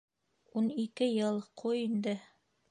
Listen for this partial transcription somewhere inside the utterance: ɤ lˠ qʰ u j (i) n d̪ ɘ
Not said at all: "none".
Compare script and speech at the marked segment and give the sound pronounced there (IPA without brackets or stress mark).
i